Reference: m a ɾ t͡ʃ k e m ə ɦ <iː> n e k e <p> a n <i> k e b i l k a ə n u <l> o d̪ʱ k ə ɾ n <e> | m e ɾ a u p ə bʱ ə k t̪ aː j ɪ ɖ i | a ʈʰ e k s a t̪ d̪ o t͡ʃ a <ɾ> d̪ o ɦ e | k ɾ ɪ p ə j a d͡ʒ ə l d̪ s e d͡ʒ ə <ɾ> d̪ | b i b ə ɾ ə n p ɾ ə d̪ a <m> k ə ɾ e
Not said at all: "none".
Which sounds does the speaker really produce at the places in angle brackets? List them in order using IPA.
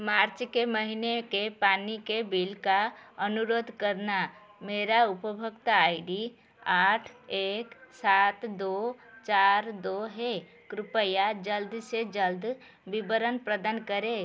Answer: i, p, i, ɾ, a, ɾ, l, n

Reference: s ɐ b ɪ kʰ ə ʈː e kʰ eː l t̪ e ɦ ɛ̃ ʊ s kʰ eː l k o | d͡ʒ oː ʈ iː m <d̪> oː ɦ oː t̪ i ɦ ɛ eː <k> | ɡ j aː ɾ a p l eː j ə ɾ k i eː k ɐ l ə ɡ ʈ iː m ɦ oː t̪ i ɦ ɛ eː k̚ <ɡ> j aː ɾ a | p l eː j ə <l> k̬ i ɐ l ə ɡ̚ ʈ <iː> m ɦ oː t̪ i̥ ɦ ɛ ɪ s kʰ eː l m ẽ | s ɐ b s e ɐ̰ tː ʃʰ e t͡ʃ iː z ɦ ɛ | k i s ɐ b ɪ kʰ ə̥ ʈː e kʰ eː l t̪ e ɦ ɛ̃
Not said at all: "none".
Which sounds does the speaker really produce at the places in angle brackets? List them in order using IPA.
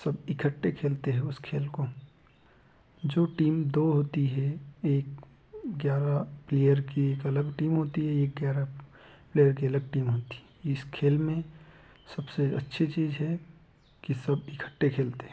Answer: d̪, k, ɡ, ɾ, iː

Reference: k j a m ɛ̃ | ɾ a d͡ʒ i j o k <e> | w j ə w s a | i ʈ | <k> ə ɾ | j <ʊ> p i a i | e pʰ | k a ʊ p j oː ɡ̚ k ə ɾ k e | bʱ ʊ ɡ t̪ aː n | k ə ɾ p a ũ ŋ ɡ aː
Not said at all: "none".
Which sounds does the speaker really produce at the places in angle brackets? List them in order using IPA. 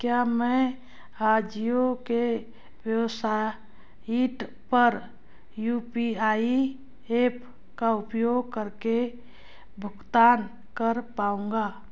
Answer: e, p, u

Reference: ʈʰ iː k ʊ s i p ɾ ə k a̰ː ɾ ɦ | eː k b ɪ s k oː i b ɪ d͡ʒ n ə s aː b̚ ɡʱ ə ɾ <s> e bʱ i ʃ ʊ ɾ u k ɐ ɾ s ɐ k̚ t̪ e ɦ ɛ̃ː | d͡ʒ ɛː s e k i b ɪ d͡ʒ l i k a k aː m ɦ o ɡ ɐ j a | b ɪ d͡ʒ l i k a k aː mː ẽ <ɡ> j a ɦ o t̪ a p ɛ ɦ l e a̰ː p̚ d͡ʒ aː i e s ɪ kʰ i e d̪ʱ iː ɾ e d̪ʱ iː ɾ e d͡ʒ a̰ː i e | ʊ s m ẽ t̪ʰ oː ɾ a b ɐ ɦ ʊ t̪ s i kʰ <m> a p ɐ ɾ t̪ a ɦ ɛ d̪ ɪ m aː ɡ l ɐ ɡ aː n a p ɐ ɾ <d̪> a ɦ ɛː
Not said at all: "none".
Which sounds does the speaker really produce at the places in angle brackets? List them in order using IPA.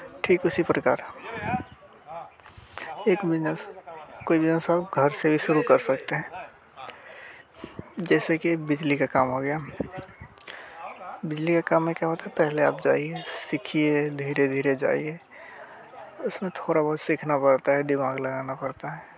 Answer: s, k, n, t̪

